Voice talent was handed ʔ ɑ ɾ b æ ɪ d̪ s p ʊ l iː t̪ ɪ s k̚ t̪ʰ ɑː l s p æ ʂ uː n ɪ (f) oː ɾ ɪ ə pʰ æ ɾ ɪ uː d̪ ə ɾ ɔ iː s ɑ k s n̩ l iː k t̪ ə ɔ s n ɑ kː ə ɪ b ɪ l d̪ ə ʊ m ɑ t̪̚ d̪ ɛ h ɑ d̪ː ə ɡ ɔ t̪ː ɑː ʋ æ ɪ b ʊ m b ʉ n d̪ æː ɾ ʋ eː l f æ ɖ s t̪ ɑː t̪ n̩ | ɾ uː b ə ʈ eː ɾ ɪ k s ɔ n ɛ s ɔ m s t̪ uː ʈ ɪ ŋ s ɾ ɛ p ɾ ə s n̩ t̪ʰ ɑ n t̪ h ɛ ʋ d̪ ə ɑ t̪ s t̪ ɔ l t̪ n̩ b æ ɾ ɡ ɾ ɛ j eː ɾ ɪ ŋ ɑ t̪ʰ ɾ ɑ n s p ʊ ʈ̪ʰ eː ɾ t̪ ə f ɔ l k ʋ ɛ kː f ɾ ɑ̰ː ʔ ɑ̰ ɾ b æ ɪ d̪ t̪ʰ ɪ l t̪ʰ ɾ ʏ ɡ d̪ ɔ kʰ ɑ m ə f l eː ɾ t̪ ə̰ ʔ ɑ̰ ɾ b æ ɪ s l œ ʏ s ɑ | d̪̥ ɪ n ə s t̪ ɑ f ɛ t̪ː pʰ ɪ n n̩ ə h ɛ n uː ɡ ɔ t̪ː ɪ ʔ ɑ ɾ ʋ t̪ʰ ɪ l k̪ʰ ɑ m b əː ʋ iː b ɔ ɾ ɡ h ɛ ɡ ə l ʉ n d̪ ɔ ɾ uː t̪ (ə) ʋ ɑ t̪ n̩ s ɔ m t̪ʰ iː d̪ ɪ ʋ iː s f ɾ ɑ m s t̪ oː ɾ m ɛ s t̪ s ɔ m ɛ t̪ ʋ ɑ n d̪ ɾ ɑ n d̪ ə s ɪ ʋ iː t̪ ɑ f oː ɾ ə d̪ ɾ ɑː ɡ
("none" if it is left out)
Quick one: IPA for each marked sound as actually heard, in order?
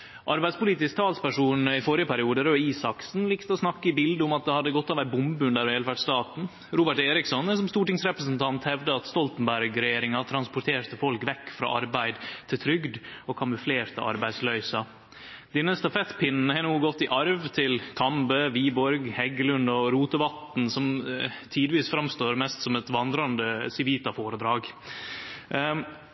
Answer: f, ə

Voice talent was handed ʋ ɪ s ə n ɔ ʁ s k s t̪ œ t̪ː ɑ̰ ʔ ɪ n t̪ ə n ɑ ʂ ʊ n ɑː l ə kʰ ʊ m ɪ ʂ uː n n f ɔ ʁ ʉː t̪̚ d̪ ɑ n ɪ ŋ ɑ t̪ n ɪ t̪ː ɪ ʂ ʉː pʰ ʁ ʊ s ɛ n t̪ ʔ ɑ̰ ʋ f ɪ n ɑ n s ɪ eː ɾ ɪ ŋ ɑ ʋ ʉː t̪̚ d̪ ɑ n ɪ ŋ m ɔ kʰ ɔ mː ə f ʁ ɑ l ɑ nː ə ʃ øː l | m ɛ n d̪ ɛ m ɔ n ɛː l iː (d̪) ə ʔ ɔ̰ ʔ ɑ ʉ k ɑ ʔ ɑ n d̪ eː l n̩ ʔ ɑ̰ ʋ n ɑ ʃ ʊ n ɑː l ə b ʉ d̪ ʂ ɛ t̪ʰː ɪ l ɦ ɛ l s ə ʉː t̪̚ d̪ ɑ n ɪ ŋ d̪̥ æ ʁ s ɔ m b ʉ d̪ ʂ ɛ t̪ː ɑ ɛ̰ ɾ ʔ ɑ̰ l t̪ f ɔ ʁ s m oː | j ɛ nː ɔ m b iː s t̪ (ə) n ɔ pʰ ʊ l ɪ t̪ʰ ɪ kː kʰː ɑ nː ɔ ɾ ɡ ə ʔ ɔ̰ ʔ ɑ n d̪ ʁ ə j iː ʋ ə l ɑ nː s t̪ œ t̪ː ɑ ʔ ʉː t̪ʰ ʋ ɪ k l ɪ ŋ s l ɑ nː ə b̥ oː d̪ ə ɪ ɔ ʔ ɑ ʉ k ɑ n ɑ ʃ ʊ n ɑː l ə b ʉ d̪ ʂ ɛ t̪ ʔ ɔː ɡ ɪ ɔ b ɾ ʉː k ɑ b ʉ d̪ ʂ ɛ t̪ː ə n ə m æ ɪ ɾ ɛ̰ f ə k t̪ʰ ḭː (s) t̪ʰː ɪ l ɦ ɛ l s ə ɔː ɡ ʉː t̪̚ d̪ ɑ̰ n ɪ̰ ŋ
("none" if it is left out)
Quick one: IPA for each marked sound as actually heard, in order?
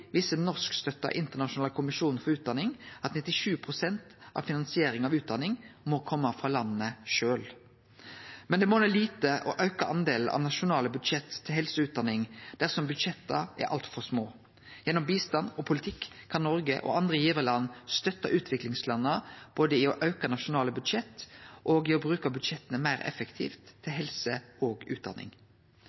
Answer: t̪, ɑ, f

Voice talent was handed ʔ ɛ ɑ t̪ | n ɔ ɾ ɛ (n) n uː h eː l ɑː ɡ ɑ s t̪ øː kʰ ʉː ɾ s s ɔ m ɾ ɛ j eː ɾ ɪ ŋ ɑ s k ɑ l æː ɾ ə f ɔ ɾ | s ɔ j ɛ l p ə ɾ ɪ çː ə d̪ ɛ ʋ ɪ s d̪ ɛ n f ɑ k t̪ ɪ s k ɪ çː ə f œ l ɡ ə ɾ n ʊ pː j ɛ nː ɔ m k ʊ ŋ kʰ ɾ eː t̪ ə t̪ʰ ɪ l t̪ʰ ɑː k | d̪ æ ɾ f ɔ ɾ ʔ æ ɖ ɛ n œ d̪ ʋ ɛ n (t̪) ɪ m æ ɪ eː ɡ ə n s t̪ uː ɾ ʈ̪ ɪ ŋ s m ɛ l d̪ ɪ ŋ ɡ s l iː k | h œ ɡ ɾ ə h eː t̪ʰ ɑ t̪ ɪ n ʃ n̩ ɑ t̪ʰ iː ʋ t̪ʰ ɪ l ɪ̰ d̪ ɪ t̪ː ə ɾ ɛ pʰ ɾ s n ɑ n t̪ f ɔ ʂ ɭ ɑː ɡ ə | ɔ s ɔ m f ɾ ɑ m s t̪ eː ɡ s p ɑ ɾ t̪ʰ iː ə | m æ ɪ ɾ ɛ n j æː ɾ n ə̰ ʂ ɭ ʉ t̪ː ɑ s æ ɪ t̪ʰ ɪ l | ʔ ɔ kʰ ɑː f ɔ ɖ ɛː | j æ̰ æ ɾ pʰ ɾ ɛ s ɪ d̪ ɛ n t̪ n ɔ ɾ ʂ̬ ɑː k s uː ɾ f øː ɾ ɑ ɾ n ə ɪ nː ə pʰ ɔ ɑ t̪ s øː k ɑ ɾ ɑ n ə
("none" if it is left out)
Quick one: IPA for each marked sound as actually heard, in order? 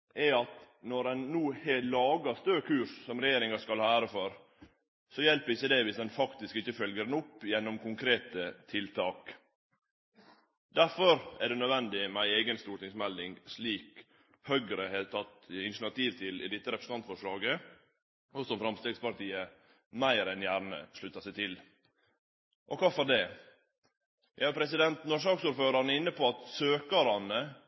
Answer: n, d̪

